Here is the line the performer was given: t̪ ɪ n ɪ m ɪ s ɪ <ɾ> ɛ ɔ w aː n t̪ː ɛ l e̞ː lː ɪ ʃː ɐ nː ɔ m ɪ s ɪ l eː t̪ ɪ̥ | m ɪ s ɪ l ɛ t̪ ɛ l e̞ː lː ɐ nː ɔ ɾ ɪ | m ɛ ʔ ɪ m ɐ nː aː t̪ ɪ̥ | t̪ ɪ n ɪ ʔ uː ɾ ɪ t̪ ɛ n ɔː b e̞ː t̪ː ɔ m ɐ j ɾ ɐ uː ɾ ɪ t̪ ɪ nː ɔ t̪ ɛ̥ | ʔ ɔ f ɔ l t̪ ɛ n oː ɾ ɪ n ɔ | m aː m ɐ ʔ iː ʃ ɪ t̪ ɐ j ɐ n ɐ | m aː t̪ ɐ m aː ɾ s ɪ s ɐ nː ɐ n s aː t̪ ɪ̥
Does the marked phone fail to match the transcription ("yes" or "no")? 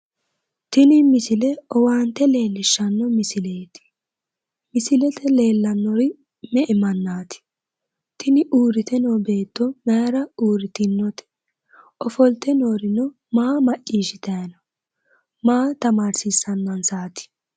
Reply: yes